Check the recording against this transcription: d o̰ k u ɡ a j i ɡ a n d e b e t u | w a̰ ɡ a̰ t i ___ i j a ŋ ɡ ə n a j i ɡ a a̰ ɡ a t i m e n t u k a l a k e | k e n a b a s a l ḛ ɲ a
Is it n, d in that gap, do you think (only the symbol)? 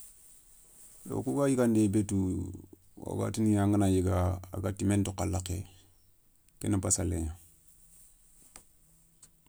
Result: n